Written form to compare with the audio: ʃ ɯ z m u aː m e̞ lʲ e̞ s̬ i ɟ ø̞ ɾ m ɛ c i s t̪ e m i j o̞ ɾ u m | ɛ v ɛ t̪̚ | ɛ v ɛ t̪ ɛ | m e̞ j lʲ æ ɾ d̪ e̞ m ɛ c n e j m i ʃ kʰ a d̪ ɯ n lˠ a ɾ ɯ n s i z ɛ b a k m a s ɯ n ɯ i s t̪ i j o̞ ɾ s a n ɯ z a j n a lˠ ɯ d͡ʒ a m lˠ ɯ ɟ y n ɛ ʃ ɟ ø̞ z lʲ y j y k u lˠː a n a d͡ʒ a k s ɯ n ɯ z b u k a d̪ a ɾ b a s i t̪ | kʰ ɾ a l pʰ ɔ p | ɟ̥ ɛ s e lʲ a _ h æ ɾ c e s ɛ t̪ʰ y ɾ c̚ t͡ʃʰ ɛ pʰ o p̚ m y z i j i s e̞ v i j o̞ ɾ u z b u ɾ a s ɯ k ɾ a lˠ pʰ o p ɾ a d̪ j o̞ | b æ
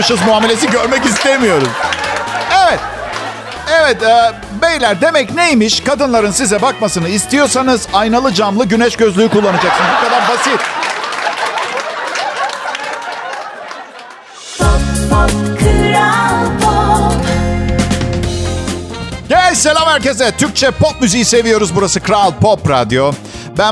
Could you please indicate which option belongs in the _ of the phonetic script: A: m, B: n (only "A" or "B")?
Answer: A